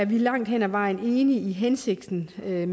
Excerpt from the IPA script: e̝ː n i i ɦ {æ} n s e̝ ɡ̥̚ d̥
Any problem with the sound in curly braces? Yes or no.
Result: yes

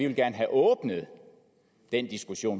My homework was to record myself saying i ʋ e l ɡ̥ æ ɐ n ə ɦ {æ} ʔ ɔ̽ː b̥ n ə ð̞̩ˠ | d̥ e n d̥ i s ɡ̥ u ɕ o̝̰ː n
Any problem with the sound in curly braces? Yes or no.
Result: no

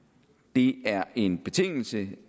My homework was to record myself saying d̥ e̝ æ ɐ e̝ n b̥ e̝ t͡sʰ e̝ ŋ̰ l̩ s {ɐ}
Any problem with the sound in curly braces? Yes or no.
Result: yes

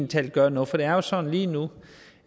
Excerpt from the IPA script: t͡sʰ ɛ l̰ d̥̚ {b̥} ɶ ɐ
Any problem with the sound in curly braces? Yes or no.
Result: yes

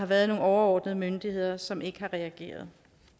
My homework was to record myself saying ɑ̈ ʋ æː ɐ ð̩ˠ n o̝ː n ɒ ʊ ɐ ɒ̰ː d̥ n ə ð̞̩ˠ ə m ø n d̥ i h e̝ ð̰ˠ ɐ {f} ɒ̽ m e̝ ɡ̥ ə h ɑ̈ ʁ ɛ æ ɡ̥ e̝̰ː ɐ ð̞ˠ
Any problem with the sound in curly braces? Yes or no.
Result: yes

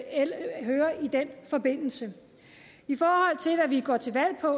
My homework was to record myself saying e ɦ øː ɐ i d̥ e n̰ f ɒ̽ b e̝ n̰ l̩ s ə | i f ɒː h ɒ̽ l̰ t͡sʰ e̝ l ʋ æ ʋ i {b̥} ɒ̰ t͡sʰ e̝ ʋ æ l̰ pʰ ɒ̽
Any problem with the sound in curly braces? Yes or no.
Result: yes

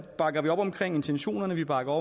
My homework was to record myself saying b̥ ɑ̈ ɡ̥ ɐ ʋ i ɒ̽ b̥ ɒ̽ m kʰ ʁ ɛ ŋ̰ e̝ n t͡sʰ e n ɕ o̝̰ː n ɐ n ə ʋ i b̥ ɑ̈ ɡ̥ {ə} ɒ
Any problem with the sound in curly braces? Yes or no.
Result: yes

